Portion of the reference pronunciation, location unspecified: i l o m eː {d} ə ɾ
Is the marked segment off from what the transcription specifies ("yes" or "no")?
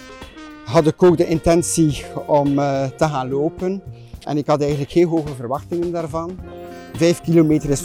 yes